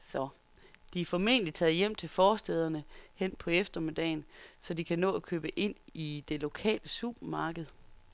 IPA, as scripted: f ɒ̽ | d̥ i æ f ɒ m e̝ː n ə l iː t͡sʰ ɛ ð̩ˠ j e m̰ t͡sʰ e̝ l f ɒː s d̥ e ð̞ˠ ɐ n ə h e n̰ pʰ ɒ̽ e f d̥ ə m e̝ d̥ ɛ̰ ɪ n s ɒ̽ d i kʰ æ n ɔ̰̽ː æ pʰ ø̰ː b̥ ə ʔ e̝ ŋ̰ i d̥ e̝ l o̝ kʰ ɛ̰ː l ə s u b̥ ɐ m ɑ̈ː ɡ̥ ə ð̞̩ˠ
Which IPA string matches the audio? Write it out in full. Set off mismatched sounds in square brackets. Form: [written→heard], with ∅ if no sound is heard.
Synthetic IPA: [f→s] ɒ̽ | d̥ i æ f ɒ m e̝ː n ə l [iː→i] t͡sʰ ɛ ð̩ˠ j e m̰ t͡sʰ e̝ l f ɒː s d̥ e ð̞ˠ ɐ n ə h e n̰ pʰ ɒ̽ e f d̥ [ə→ɐ] m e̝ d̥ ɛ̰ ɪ n s ɒ̽ d i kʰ æ n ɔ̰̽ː æ [pʰ→kʰ] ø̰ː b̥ ə ʔ e̝ [ŋ̰→n̰] i d̥ e̝ l o̝ kʰ ɛ̰ː l ə s u b̥ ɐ m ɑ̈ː ɡ̥ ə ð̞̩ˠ